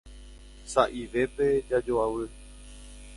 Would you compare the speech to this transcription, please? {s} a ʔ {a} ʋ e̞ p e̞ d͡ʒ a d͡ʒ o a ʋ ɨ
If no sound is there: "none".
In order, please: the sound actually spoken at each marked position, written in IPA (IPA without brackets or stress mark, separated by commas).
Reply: s, i